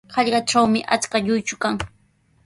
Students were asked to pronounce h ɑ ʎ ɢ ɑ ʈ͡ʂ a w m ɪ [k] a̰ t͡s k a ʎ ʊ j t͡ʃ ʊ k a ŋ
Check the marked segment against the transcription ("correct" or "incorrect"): incorrect